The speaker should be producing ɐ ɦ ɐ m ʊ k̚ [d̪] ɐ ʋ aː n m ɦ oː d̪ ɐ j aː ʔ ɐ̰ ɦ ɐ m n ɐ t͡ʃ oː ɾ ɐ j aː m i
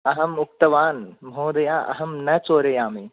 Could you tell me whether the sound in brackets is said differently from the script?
yes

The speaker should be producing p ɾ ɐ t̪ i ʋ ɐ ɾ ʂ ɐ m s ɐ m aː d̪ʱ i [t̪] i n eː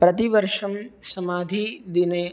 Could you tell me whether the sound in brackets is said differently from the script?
yes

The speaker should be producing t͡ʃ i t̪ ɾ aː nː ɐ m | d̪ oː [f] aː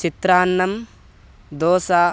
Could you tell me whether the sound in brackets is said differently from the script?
yes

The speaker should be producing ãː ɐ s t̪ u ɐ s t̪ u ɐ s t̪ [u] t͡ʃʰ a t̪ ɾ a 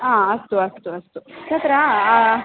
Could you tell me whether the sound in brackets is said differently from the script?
no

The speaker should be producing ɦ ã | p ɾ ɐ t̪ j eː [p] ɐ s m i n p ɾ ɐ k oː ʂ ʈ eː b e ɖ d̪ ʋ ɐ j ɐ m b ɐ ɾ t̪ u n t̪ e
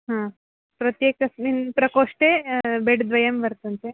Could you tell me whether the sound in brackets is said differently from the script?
yes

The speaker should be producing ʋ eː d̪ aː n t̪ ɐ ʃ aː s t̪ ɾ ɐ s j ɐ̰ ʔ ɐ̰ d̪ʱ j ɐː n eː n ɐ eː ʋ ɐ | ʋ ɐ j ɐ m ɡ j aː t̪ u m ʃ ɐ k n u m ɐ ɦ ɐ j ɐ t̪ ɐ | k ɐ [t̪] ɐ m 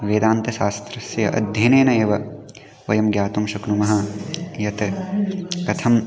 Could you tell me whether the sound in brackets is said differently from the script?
yes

